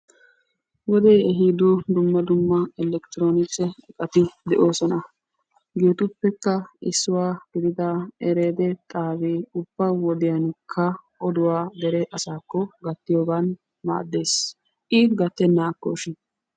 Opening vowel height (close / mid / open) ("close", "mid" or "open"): mid